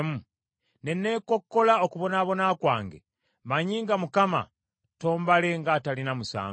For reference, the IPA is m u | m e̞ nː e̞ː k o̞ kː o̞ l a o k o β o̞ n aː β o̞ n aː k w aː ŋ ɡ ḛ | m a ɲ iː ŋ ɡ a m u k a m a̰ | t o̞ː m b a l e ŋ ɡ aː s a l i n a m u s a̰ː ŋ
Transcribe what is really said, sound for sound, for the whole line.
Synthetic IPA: m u | n e̞ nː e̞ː k o̞ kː o̞ l a o k u β o̞ n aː β o̞ n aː k w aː ŋ ɡ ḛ | m a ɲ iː ŋ ɡ a m u k a m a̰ | t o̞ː m b a l e ŋ ɡ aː t a l i n a m u s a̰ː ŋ

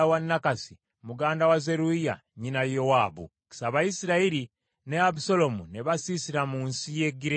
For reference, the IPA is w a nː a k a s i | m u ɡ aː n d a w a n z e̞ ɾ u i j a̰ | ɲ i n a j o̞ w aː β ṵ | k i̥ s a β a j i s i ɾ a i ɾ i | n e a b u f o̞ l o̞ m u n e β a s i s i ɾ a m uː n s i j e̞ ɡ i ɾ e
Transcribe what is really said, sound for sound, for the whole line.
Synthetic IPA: w a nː a k a s i | m u ɡ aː n d a w a z e̞ ɾ u i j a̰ | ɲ i n a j o̞ w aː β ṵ | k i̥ s a β a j i s i ɾ a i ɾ i | n e a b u s o̞ l o̞ m u n e β a s i s i ɾ a m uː n s i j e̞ ɡ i ɾ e

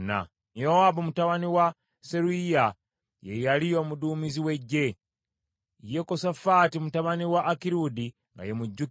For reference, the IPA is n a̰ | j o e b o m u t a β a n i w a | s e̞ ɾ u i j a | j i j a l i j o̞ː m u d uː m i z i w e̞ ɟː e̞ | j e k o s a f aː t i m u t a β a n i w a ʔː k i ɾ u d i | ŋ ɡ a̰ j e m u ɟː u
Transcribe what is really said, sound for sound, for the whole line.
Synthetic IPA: n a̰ | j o a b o m u t a β a n i w a | s e̞ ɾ u i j a | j e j a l i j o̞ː m u d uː m i z i w e̞ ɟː e̞ | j e k o s a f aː t i m u t a β a n i w a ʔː k i ɾ u d i | ŋ ɡ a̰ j e m u ɟː u

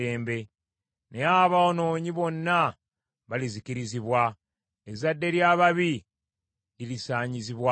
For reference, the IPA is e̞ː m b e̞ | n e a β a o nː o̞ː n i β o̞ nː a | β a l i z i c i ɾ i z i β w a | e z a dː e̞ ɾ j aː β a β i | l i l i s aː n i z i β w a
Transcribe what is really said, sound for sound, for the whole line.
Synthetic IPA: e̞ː m b e̞ | n e a β a o n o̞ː ɲ i β o̞ nː a | β a l i z i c i ɾ i z i β w a | e z a dː e̞ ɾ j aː β a β i | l i l i s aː ɲ i z i β w a

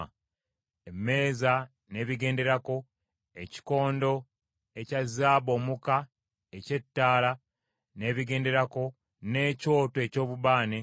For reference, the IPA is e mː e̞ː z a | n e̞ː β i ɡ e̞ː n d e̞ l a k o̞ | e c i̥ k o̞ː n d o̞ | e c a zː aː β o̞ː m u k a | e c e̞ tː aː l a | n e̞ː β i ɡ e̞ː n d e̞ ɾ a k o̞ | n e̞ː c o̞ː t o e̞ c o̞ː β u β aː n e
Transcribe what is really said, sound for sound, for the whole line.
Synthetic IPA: e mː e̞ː z a | n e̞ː β i ɡ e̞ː n d e̞ ɾ a k o̞ | e c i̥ k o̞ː n d o̞ | e c a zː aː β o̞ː m u k a | e c e̞ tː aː l a | n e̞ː β i ɡ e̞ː n d e̞ ɾ a k o̞ | n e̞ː c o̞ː t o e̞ c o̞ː β u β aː n e

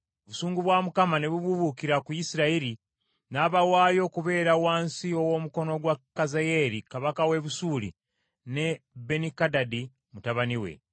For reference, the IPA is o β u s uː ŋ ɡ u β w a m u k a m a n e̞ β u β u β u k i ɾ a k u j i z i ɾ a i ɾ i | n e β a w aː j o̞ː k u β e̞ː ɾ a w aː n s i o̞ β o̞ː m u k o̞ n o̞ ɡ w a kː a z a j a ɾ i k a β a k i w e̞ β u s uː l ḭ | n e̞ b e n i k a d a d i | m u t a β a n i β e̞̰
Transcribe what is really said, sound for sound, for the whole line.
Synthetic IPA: o β u s uː ŋ ɡ u β w a m u k a m a n e̞ β u β u β u k i ɾ a k u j i s i ɾ a i ɾ i | n a β a w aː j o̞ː k u β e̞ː ɾ a w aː n s i o̞ w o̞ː m u k o̞ n o̞ ɡ w a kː a z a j e ɾ i k a β a k a w e̞ β u s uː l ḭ | n e̞ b e n i k a d a d i | m u t a β a n i w e̞̰

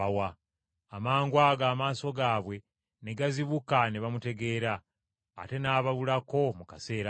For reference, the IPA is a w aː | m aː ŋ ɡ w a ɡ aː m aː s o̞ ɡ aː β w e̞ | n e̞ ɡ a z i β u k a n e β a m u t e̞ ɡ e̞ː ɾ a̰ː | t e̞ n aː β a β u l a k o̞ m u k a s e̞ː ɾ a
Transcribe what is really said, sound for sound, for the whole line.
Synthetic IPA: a w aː | m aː ŋ ɡ w a ɡ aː m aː s o̞ ɡ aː β w e̞ | n e̞ ɡ a z i β u k a n e β a m u t e̞ ɡ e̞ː ɾ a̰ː | t e̞ n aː β a β u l a k o̞ m u k a s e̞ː ɾ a

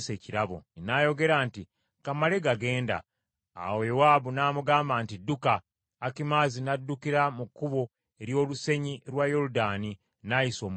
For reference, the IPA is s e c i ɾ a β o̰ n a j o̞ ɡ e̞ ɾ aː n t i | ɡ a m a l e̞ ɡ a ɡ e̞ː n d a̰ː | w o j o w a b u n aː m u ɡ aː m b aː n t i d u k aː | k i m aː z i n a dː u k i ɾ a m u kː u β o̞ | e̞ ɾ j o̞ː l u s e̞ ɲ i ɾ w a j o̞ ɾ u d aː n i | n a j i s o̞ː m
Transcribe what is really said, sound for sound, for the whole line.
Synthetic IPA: s e c i ɾ a β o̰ n a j o̞ ɡ e̞ ɾ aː n t i | k a m a l e̞ ɡ a ɡ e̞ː n d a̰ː | w o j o w a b u n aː m u ɡ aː m b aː n t i d u k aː | k i m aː z i n a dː u k i ɾ a m u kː u β o̞ | e̞ ɾ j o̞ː l u s e̞ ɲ i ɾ w a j o̞ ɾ u d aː n i | n a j i s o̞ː m

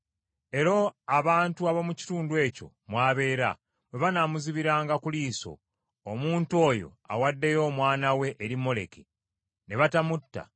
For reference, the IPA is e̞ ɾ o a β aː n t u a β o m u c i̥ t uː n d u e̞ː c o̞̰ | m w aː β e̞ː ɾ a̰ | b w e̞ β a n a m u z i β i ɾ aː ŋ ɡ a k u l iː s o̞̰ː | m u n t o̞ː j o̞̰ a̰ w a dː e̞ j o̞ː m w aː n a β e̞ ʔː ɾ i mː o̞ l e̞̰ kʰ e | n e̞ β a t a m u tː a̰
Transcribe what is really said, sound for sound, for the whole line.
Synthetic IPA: e̞ ɾ o a β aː n t u a β o m u c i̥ t uː n d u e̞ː c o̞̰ | m w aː β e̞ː ɾ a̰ | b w e̞ β a n a m u z i β i ɾ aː ŋ ɡ a k u l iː s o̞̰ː | m uː n t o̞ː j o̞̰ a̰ w a dː e̞ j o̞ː m w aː n a w e̞ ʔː ɾ i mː o̞ l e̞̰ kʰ e | n e̞ β a t a m u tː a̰

